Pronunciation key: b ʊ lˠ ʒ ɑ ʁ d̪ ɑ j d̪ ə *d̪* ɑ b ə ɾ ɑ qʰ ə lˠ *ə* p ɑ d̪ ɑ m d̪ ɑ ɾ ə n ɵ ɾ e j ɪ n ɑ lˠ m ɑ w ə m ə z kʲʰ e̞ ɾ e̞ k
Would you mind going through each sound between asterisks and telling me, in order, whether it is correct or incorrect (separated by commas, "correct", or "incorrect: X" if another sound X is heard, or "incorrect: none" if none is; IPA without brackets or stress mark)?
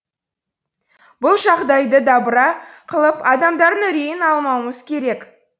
correct, correct